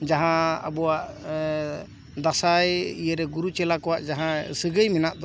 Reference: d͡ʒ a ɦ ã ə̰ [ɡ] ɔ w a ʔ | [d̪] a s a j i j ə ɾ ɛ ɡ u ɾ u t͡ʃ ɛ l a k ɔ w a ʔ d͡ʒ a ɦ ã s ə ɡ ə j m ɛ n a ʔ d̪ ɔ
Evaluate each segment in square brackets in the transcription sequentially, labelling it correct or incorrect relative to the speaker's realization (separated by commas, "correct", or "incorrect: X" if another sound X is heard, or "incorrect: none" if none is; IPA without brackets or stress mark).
incorrect: b, correct